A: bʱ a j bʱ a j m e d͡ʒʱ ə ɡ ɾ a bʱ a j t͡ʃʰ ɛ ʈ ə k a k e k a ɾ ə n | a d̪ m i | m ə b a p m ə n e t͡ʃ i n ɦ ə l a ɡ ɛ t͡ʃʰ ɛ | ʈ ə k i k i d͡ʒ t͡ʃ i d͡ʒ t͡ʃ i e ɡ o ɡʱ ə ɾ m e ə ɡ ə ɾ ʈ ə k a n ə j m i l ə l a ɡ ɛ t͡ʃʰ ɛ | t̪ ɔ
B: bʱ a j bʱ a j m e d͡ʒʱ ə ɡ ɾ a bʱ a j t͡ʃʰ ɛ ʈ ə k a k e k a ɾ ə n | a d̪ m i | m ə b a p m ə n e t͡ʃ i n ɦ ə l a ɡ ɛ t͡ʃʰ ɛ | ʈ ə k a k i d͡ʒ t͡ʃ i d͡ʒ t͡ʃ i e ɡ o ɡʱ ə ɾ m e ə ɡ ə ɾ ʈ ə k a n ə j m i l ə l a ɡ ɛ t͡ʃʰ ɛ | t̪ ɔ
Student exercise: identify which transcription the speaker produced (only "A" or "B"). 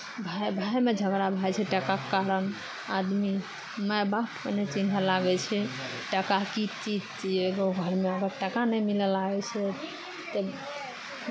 B